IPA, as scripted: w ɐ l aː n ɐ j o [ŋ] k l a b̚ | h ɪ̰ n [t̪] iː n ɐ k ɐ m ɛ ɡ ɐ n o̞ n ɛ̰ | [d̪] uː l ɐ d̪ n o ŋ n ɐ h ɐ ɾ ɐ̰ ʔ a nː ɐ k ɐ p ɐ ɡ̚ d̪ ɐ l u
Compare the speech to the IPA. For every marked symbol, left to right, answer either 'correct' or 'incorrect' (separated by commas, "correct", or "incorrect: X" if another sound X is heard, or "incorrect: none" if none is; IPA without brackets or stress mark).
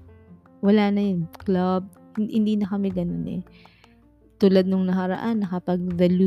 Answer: incorrect: n, incorrect: d̪, incorrect: t̪